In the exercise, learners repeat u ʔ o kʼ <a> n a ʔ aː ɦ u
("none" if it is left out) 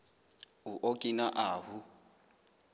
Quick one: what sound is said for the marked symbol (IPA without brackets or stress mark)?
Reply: i